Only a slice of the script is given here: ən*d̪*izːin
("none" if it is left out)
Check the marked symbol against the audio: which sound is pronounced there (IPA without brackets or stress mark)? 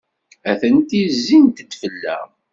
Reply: t̪